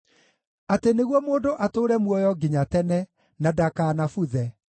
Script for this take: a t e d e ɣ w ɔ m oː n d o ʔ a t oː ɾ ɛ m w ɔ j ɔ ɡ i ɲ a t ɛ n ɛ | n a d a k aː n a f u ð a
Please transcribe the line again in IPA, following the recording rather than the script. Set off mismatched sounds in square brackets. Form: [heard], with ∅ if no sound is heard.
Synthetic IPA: a t e [n] e ɣ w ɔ m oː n d o ʔ a t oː ɾ ɛ m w ɔ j ɔ ɡ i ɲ a t ɛ n ɛ | n a d a k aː n a f u ð [ɛ]